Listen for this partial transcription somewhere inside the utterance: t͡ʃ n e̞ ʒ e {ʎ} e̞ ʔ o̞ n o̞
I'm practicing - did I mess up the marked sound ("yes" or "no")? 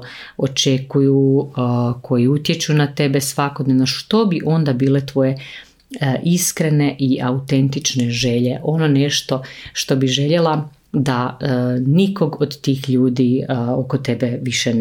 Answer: no